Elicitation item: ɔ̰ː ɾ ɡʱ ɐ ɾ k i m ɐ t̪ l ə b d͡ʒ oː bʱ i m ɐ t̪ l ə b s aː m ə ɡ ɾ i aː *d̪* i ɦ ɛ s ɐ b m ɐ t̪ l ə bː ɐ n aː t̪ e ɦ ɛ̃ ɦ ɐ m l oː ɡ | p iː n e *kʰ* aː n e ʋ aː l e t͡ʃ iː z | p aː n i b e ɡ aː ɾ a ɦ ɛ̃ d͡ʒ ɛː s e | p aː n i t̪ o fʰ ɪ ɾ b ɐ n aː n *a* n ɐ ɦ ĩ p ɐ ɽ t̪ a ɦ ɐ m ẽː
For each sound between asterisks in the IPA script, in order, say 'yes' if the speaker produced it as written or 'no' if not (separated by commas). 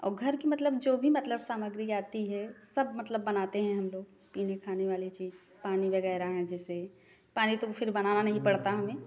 no, yes, yes